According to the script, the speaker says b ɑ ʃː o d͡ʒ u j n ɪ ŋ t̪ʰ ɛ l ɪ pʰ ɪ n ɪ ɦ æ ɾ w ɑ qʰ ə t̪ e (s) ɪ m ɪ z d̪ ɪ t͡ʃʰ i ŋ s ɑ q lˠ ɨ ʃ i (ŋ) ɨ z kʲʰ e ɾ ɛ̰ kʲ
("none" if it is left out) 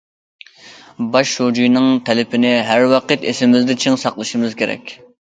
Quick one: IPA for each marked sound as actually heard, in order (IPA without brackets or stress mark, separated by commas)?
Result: s, m